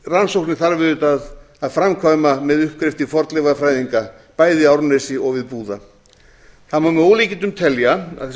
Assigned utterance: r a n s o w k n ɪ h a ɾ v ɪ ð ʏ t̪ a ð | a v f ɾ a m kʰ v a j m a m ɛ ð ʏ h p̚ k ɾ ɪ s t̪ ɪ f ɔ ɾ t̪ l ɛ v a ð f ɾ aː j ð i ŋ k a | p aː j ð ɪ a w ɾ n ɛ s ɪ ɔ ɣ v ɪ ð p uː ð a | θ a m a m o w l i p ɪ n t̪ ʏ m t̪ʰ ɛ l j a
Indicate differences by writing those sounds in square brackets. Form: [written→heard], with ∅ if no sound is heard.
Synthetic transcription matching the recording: r a n s o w k n ɪ [h→θ] a ɾ v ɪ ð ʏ t̪ a ð | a [v→ð] f ɾ a m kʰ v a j m a m ɛ ð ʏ h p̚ k ɾ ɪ [s→f] t̪ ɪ f ɔ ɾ t̪ l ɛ v a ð f ɾ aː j ð i ŋ k a | p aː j ð ɪ a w ɾ n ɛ s ɪ ɔ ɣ v ɪ ð p uː ð a | θ a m a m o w l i [p→c] ɪ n t̪ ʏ m t̪ʰ ɛ l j a